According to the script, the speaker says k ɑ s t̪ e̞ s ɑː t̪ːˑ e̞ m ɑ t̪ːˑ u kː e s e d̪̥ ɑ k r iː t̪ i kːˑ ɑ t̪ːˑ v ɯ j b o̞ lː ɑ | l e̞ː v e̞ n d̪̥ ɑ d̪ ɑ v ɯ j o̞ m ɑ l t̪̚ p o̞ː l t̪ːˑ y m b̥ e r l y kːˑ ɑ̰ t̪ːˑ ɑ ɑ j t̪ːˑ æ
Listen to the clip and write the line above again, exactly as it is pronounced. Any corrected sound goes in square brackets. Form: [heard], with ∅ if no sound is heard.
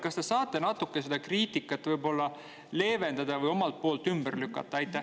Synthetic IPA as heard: k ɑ s t̪ e̞ s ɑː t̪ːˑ e̞ [n] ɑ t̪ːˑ u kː e s e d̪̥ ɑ k r iː t̪ i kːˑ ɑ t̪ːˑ v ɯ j b o̞ lː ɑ | l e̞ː v e̞ n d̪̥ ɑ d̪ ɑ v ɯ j o̞ m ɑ l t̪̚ p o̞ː l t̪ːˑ y m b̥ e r l y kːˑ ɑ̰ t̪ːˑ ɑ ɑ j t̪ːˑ æ